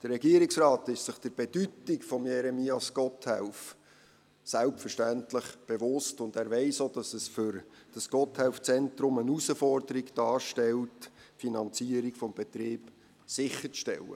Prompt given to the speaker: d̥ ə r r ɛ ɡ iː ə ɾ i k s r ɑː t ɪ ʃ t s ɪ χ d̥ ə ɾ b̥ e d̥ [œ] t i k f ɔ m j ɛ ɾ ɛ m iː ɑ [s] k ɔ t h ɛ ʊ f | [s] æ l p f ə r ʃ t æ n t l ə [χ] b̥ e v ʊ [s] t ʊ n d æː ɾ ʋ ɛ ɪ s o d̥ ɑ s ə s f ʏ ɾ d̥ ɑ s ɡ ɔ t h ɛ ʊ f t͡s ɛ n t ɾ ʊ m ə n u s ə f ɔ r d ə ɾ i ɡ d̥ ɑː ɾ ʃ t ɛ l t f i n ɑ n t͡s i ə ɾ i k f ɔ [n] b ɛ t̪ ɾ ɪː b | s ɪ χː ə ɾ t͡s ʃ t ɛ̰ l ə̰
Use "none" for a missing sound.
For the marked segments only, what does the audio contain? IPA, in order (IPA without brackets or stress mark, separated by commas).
y, s, s, χ, s, m